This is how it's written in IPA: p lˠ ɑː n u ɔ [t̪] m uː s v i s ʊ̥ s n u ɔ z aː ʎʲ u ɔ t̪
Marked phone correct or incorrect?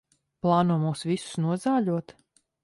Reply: incorrect: none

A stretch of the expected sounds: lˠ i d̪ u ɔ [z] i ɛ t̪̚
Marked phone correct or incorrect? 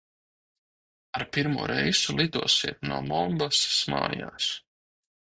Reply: incorrect: s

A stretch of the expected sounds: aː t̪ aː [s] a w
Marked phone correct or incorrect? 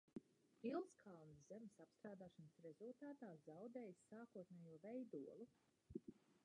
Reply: incorrect: z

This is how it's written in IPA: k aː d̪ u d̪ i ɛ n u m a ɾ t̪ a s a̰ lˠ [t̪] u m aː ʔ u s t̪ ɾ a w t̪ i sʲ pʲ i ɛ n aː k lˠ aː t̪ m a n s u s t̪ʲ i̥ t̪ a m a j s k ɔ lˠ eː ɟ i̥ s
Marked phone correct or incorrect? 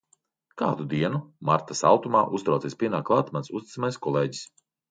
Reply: correct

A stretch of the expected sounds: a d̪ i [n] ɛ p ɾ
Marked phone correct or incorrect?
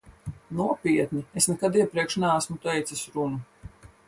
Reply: incorrect: none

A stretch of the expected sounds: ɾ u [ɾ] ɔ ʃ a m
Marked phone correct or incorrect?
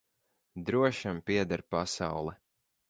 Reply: incorrect: none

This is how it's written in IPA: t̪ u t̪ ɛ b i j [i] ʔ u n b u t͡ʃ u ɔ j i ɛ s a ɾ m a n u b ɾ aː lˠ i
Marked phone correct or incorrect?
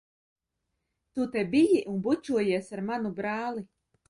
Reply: correct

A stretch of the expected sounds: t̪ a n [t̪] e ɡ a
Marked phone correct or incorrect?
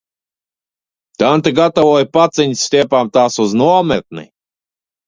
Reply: correct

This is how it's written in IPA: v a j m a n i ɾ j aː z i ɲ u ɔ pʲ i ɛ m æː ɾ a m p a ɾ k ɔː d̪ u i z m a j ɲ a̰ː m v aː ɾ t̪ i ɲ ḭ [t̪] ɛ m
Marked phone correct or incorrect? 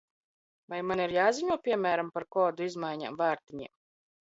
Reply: incorrect: none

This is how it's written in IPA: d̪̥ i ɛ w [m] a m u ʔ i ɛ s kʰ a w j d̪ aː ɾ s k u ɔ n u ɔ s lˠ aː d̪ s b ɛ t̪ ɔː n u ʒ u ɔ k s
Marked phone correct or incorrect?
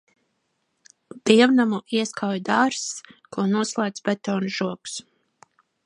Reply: incorrect: n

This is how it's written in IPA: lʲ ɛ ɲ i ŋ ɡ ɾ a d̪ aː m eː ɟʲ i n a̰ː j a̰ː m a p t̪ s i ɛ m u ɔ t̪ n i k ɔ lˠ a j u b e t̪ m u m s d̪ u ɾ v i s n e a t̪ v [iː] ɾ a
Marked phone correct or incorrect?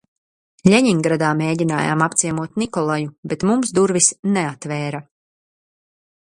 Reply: incorrect: ɛː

